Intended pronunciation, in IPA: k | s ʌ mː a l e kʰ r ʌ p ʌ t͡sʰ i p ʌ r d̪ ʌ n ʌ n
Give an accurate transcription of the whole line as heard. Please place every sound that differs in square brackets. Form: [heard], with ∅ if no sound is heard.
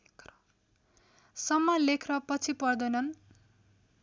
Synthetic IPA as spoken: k | s ʌ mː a l e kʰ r ʌ p ʌ t͡sʰ i p ʌ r d̪ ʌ n ʌ n